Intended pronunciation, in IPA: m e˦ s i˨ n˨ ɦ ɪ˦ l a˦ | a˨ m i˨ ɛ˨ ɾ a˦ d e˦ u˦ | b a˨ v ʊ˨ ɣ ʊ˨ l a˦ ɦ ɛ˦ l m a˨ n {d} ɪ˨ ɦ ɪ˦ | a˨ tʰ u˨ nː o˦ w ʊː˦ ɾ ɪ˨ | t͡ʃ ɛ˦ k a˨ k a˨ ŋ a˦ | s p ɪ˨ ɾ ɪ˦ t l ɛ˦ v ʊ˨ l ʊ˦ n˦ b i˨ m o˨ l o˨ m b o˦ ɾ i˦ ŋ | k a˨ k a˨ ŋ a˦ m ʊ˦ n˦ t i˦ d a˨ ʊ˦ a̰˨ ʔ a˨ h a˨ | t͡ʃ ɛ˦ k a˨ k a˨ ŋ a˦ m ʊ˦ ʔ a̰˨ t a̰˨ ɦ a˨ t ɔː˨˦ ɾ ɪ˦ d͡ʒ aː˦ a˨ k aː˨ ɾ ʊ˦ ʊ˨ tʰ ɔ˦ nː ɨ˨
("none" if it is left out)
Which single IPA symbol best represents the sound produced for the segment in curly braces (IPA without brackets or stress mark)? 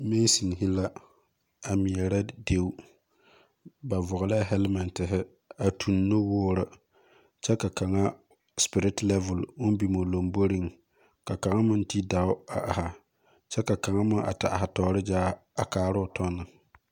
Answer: t